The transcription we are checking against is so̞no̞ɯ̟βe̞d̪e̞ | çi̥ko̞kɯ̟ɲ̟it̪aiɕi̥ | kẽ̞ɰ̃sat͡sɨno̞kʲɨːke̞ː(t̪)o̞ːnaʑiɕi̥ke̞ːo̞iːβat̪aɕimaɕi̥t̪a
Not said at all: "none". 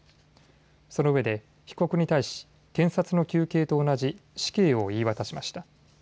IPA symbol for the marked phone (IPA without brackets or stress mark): t̪